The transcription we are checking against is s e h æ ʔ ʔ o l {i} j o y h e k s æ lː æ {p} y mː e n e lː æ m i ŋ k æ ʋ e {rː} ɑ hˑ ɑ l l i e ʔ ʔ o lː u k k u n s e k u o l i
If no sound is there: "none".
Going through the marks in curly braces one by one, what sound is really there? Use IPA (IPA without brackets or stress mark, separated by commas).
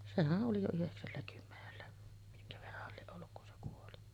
i, k, rː